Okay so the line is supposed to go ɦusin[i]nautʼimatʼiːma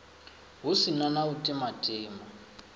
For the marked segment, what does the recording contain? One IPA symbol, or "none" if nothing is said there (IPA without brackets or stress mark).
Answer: a